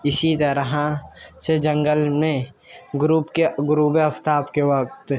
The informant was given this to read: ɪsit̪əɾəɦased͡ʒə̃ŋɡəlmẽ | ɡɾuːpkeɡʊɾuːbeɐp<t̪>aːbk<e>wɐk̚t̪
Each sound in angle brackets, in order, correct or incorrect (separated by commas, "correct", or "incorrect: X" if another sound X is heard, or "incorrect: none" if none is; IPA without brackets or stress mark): correct, correct